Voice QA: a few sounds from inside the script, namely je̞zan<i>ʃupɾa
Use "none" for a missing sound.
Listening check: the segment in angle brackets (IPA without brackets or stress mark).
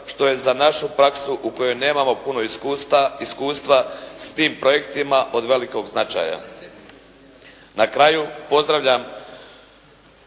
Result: a